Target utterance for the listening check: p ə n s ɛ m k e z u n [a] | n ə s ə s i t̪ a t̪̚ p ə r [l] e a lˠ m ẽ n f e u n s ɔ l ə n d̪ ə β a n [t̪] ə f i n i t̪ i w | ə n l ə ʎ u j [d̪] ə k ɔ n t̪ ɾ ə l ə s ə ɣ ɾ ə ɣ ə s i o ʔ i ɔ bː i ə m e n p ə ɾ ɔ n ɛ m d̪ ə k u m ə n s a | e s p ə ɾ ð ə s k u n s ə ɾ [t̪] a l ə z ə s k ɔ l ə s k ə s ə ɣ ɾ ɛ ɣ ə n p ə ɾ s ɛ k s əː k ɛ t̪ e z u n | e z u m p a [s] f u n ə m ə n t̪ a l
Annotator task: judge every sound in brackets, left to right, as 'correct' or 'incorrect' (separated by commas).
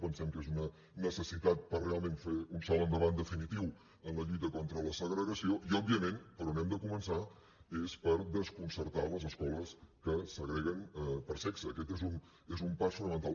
incorrect, incorrect, incorrect, incorrect, correct, correct